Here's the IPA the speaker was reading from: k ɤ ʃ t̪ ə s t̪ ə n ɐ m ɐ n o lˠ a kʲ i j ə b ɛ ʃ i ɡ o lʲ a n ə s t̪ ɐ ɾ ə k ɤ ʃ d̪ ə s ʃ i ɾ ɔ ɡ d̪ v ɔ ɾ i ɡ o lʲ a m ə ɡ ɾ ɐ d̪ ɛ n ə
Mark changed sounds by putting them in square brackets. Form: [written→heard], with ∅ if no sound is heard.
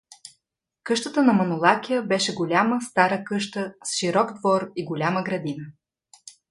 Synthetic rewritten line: k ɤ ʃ t̪ ə [s→∅] t̪ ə n ɐ m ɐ n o lˠ a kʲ i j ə b ɛ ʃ [i→ɛ] ɡ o lʲ a [n→m] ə s t̪ [ɐ→a] ɾ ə k ɤ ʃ [d̪→t̪] ə s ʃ i ɾ ɔ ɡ d̪ v ɔ ɾ i ɡ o lʲ a m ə ɡ ɾ ɐ d̪ [ɛ→i] n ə